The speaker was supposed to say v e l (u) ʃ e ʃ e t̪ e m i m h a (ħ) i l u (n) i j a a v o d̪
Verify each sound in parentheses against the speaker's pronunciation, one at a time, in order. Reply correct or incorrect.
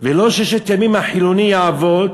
incorrect: o, correct, correct

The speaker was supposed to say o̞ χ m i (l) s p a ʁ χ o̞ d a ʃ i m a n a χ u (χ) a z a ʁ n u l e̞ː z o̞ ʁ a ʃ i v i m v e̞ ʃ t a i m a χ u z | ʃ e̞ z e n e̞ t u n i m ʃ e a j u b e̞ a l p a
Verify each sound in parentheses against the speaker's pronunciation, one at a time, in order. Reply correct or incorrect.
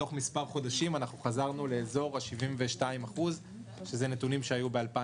incorrect: none, correct

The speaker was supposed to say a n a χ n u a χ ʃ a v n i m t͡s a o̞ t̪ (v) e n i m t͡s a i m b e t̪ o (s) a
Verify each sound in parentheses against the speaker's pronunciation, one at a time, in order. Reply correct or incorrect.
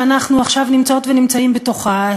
correct, incorrect: χ

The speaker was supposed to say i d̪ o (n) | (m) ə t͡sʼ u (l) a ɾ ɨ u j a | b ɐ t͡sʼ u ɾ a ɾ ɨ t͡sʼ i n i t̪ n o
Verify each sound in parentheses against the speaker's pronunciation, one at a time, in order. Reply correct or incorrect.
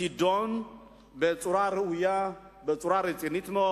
correct, incorrect: b, incorrect: ɾ

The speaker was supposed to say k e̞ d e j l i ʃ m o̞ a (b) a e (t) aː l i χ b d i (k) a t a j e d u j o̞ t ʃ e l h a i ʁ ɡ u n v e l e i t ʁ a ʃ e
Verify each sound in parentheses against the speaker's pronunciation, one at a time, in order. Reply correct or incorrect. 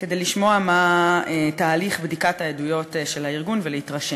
incorrect: m, correct, correct

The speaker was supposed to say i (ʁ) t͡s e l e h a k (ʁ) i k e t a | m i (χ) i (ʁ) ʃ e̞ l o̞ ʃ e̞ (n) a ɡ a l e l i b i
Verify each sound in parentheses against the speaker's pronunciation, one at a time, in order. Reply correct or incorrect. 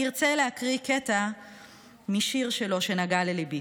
correct, correct, incorrect: ʃ, correct, correct

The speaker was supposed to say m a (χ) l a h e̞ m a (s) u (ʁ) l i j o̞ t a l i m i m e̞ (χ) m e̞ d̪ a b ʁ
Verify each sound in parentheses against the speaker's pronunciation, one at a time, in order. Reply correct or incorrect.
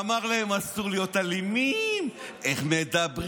incorrect: ʁ, correct, correct, correct

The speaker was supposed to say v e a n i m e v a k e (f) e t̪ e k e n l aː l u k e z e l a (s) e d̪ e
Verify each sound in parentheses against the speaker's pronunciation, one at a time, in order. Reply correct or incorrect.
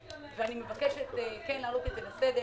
incorrect: ʃ, correct

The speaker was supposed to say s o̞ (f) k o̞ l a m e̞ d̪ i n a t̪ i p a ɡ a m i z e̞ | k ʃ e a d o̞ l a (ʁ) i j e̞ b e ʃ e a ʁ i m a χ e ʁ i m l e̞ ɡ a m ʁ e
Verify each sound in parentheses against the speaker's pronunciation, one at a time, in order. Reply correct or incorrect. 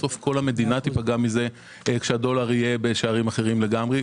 correct, correct

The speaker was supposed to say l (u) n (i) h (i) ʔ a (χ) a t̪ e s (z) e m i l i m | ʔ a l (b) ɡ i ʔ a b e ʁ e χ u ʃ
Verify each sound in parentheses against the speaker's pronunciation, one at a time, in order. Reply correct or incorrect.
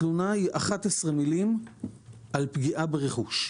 correct, incorrect: a, correct, correct, incorrect: ʁ, incorrect: p

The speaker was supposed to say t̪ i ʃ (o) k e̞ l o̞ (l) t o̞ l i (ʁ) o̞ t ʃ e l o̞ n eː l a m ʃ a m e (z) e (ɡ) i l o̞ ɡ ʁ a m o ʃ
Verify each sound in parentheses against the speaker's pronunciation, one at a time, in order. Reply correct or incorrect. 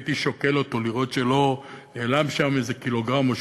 correct, incorrect: none, correct, correct, incorrect: k

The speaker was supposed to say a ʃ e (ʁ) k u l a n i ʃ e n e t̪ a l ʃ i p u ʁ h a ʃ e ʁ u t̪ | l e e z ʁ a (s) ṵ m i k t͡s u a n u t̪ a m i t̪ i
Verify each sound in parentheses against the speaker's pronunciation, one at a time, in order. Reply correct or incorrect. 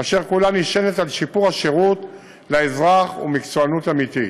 correct, incorrect: χ

